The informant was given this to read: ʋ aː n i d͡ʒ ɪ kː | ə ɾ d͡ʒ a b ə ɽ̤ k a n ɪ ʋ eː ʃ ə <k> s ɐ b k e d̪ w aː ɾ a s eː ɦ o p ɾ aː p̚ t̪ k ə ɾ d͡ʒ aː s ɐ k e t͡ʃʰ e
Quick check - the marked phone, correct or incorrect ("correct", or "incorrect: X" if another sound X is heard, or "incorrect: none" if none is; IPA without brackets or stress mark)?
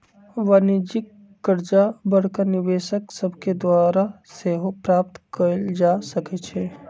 correct